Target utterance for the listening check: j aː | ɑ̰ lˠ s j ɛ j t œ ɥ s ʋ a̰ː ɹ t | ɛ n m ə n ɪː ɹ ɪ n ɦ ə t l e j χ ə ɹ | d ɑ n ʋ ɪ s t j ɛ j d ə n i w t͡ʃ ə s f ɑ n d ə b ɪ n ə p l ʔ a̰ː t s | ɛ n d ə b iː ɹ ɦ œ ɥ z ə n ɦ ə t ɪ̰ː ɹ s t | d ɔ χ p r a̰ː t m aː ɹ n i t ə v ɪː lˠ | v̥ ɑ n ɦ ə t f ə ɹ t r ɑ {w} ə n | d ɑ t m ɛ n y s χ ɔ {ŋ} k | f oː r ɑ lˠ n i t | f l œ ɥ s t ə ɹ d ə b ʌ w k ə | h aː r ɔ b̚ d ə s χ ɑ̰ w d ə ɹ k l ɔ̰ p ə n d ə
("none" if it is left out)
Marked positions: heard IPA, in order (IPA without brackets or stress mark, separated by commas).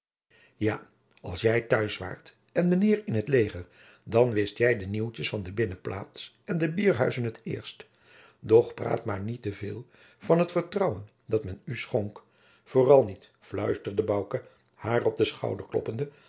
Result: w, ŋ